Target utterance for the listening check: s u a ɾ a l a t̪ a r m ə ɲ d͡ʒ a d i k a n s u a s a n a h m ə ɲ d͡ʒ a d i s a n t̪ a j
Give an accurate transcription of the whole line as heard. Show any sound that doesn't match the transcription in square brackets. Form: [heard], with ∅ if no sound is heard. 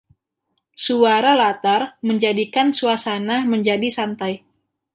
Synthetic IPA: s u a ɾ a l a t̪ a r m ə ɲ d͡ʒ a d i k a n s u a s a n a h m ə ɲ d͡ʒ a d i s a n t̪ a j